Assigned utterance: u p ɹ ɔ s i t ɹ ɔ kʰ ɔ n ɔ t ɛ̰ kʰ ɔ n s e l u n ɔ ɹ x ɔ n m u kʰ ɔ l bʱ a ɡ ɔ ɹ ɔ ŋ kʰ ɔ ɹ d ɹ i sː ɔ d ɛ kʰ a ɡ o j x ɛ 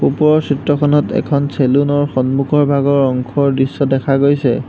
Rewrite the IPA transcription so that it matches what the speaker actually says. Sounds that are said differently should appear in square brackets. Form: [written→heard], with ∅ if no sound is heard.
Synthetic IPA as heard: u p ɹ ɔ s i t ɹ ɔ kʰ ɔ n ɔ t ɛ̰ kʰ ɔ n s e l u n ɔ ɹ x ɔ n m u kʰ ɔ [l→ɹ] bʱ a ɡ ɔ ɹ ɔ ŋ kʰ ɔ ɹ d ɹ i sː ɔ d ɛ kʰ a ɡ o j [x→s] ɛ

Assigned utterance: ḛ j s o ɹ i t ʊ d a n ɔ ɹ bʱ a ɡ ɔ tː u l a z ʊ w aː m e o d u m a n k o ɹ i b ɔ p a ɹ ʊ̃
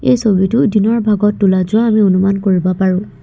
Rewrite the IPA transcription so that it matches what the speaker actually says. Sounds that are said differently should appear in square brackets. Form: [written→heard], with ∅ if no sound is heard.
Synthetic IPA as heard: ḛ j s o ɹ i t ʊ d [a→i] n ɔ ɹ bʱ a ɡ ɔ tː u l a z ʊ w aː m [e→i] o [d→n] u m a n k o ɹ i b ɔ p a ɹ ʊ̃

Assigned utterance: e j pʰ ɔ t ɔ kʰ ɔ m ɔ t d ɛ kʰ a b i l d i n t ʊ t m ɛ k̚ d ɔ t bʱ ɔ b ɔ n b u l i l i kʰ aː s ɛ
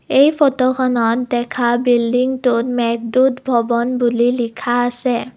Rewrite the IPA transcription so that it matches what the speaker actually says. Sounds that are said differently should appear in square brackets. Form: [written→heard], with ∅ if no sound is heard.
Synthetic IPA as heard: e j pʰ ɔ t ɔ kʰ ɔ [m→n] ɔ t d ɛ kʰ a b i l d i [n→ŋ] t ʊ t m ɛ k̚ d [ɔ→u] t bʱ ɔ b ɔ n b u l i l i kʰ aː s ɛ

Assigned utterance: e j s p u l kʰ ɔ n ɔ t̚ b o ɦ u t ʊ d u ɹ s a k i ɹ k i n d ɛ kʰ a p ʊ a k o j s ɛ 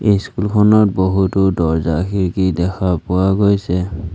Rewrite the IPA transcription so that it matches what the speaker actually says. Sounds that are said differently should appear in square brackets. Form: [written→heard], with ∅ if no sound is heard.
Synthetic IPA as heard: e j s [p→k] u l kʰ ɔ n ɔ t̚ b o ɦ u t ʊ d [u→ɔ] ɹ [s→z] a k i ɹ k i [n→∅] d ɛ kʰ a p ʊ a [k→ɡ] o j s ɛ

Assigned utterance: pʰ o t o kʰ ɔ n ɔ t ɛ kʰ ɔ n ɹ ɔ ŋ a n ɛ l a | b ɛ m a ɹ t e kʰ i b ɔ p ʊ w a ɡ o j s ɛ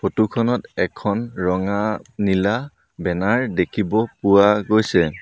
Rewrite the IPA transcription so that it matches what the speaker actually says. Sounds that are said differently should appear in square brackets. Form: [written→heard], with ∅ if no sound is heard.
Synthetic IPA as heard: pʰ o t [o→u] kʰ ɔ n ɔ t ɛ kʰ ɔ n ɹ ɔ ŋ a n [ɛ→i] l a | b ɛ [m→n] a ɹ [t→d] e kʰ i b ɔ p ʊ w a ɡ o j s ɛ

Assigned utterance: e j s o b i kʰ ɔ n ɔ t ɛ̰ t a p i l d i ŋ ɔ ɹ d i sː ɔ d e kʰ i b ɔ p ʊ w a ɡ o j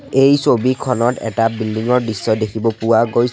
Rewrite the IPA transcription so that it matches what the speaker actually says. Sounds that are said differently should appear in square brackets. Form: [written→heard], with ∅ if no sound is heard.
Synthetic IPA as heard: e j s o b i kʰ ɔ n ɔ t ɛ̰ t a [p→b] i l d i ŋ ɔ ɹ d i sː ɔ d e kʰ i b ɔ p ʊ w a ɡ o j

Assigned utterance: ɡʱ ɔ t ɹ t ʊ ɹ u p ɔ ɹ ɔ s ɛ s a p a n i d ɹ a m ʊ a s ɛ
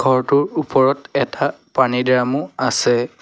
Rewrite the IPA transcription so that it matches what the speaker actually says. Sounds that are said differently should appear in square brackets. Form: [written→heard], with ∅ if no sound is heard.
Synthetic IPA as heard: ɡʱ ɔ [t→∅] ɹ t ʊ ɹ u p ɔ ɹ ɔ [s→t] ɛ [s→t] a p a n i d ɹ a m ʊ a s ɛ

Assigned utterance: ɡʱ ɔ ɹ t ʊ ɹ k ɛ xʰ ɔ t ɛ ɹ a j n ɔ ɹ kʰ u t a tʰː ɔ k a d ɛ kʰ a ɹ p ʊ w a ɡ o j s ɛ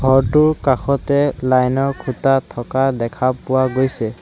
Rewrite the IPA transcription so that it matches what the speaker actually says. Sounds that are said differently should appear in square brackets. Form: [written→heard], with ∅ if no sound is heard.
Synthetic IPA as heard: ɡʱ ɔ ɹ t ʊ ɹ k [ɛ→a] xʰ ɔ t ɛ [ɹ→l] a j n ɔ ɹ kʰ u t a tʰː ɔ k a d ɛ kʰ a [ɹ→∅] p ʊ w a ɡ o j s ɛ

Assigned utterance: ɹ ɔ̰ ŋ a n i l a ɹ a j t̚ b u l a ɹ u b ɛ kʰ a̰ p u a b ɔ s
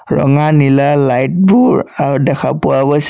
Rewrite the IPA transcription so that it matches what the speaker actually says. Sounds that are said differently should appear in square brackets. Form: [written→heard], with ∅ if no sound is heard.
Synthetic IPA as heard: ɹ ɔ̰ ŋ a n i l a [ɹ→l] a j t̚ b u [l→ɹ] a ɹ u [b→d] ɛ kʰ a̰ p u a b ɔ s

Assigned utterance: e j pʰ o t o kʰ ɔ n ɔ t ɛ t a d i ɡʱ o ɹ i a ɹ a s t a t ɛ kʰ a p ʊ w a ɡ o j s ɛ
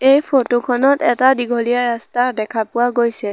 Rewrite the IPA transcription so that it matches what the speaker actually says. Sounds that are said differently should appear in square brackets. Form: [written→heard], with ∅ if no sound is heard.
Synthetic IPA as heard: e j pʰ o t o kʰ ɔ n ɔ t ɛ t a d i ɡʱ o [ɹ→l] i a ɹ a s t a [t→d] ɛ kʰ a p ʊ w a ɡ o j s ɛ

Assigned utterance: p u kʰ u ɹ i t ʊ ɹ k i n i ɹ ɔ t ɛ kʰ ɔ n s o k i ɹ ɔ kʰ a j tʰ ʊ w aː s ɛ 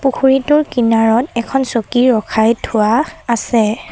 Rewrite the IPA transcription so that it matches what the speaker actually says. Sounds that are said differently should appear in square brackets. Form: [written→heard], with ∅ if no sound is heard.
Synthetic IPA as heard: p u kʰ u ɹ i t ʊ ɹ k i n [i→a] ɹ ɔ t ɛ kʰ ɔ n s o k i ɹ ɔ kʰ a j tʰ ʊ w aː s ɛ

